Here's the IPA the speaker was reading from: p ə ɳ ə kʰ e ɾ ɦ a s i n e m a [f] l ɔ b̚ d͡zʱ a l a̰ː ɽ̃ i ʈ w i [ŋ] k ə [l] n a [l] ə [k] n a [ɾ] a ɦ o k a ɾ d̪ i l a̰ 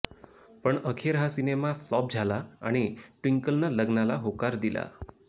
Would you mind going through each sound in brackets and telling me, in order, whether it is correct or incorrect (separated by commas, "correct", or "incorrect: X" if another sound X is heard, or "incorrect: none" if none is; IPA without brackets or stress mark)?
correct, correct, correct, correct, incorrect: ɡ, incorrect: l